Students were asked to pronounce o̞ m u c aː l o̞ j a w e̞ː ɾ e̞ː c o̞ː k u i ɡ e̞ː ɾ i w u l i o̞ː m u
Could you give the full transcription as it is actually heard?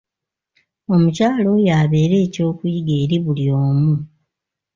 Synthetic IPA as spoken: o̞ m u c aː l o̞ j a β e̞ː ɾ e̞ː c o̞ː k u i ɡ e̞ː ɾ i β u l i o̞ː m u